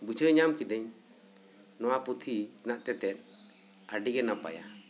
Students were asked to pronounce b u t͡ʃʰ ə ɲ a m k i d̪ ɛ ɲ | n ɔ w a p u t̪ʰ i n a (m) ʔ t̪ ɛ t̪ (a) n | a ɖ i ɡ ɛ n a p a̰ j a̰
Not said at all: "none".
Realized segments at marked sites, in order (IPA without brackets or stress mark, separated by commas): none, ɛ